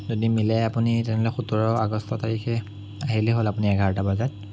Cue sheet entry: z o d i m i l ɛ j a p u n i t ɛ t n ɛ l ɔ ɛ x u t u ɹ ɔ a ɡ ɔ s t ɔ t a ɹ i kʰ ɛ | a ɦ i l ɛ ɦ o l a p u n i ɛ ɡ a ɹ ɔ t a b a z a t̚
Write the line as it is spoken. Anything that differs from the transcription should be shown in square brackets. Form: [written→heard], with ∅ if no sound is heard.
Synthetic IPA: z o d i m i l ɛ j a p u n i t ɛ [t→∅] n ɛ l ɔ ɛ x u t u ɹ ɔ a ɡ ɔ s t ɔ t a ɹ i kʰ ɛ | a ɦ i l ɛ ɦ o l a p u n i ɛ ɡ a ɹ ɔ t a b a z a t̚